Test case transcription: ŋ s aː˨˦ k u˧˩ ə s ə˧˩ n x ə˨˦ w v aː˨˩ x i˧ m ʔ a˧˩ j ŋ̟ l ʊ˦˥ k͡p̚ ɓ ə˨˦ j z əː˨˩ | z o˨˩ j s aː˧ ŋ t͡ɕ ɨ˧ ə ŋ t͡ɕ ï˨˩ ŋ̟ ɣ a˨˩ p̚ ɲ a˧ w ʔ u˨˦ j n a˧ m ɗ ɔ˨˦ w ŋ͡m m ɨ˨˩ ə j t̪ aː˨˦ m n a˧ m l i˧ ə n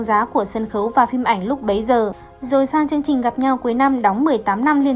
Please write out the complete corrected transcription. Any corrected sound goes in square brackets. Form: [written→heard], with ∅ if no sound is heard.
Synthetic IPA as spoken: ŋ [s→z] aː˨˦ k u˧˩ ə s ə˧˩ n x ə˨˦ w v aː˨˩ [x→f] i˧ m ʔ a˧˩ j ŋ̟ l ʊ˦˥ k͡p̚ ɓ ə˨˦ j z əː˨˩ | z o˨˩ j s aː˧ ŋ t͡ɕ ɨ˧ ə ŋ t͡ɕ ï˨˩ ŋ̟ ɣ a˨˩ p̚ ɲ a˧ w [ʔ→k] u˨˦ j n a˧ m ɗ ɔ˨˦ w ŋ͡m m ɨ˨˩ ə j t̪ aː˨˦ m n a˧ m l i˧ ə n